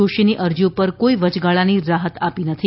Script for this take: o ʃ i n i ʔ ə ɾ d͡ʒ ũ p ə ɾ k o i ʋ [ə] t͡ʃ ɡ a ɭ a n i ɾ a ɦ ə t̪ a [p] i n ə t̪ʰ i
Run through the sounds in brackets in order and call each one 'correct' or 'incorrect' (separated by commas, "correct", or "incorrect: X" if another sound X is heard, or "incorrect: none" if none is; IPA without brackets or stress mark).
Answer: correct, correct